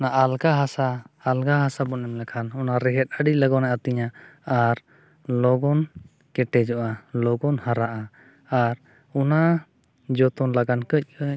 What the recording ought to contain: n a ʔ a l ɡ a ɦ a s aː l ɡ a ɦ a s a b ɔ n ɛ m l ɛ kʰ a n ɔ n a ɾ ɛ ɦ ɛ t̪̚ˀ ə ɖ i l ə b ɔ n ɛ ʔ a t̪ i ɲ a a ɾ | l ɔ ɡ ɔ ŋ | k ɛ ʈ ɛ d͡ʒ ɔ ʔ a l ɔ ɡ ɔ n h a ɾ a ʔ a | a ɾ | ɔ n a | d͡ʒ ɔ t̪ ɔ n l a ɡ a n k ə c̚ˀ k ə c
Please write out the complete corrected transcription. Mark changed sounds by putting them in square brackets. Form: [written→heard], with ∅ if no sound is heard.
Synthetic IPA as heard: n a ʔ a l ɡ a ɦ a s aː l ɡ a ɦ a s a b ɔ n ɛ m l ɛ kʰ a n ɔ n a ɾ ɛ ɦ ɛ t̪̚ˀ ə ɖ i l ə [b→ɡ] ɔ n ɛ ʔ a t̪ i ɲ a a ɾ | l ɔ ɡ ɔ [ŋ→n] | k ɛ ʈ ɛ d͡ʒ ɔ ʔ a l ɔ ɡ ɔ n h a ɾ a ʔ a | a ɾ | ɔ n a | d͡ʒ ɔ t̪ ɔ n l a ɡ a n k ə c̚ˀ k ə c